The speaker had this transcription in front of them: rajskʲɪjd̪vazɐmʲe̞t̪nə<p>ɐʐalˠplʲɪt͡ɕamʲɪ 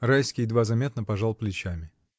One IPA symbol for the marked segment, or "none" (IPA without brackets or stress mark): p